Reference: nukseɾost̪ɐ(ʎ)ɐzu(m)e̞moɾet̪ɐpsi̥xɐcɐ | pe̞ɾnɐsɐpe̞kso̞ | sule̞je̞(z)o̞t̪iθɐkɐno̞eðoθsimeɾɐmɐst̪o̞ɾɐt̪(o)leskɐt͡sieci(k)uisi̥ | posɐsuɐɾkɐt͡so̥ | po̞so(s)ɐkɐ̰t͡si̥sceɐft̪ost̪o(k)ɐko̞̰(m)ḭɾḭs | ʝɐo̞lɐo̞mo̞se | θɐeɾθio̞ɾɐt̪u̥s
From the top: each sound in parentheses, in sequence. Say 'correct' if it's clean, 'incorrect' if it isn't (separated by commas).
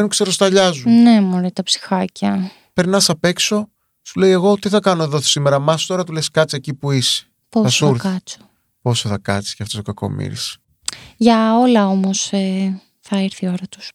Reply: correct, incorrect, incorrect, incorrect, incorrect, incorrect, correct, correct